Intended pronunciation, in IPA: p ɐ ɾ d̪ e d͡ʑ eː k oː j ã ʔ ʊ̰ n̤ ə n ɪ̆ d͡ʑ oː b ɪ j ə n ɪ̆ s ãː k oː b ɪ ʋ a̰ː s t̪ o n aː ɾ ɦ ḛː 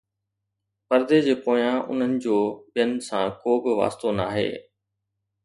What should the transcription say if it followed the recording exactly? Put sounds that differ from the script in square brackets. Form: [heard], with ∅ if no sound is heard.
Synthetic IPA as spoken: p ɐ ɾ d̪ e d͡ʑ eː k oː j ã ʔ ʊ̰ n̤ ə n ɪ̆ d͡ʑ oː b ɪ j ə n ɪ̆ s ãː k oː b ɪ ʋ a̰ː s t̪ o n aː [∅] ɦ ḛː